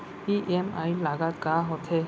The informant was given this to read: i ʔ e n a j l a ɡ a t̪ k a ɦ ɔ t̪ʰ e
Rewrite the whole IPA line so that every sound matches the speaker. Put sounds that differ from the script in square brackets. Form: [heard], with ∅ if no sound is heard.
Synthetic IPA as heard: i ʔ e [m] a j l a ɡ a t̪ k a ɦ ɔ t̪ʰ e